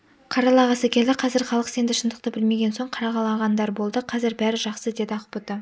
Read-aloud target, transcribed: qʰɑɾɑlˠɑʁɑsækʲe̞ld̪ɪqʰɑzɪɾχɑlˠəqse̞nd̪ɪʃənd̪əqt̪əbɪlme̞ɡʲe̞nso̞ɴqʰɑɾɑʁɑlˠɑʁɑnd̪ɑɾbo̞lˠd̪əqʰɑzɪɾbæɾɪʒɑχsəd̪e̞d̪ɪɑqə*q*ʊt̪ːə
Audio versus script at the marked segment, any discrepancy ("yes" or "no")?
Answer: yes